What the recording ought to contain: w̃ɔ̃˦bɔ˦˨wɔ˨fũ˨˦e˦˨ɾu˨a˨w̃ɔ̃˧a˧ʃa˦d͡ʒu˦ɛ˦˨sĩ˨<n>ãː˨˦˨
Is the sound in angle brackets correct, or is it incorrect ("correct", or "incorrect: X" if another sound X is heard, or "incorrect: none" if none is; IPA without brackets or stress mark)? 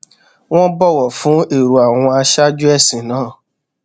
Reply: correct